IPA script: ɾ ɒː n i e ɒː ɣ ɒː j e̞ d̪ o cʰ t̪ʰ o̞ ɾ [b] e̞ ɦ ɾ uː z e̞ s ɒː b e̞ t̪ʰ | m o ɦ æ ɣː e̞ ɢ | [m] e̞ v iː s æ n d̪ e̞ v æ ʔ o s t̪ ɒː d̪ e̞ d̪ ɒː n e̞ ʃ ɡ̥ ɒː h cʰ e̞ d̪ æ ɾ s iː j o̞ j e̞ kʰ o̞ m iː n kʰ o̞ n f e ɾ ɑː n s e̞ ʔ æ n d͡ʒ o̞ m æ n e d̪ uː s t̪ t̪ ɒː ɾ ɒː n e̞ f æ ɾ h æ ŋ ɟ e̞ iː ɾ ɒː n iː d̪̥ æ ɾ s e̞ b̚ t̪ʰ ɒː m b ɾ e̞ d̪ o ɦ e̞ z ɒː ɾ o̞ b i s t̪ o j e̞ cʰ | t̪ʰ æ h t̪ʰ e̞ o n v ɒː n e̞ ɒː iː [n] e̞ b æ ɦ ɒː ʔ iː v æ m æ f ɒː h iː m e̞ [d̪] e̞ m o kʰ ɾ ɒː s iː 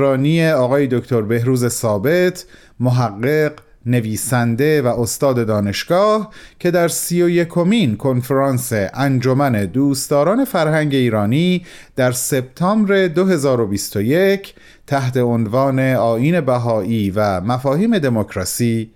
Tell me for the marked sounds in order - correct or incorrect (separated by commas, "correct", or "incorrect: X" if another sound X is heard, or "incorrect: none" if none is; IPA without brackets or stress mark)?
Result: correct, incorrect: n, correct, correct